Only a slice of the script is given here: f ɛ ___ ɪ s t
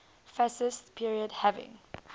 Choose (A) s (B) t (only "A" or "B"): A